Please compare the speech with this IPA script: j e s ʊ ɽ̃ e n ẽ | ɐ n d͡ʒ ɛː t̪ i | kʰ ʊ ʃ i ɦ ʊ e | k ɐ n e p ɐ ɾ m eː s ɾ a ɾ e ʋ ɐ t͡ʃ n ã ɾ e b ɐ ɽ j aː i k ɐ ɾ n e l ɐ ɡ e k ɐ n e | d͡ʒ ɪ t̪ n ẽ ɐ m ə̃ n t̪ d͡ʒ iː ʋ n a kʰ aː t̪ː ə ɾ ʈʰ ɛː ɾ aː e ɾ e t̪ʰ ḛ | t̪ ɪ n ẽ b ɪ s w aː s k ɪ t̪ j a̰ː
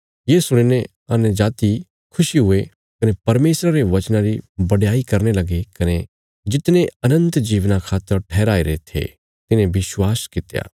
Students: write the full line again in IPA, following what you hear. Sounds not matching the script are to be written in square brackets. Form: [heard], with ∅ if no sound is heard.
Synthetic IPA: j e s ʊ ɽ̃ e n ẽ | ɐ n d͡ʒ [aː] t̪ i | kʰ ʊ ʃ i ɦ ʊ e | k ɐ n e p ɐ ɾ m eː s ɾ a ɾ e ʋ ɐ t͡ʃ n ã ɾ [i] b ɐ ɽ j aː i k ɐ ɾ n e l ɐ ɡ e k ɐ n e | d͡ʒ ɪ t̪ n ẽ ɐ [n] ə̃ n t̪ d͡ʒ iː ʋ n a kʰ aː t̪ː ə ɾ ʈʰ ɛː ɾ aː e ɾ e t̪ʰ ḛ | t̪ ɪ n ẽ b ɪ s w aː s k ɪ t̪ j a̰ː